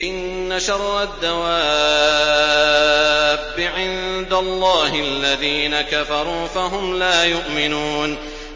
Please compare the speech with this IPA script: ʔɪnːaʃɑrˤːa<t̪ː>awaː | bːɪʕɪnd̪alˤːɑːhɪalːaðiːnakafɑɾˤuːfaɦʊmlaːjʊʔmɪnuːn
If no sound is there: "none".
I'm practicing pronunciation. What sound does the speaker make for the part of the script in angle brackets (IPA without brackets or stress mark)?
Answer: d̪ː